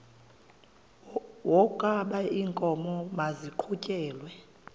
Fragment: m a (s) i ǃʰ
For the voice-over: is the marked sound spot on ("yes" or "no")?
no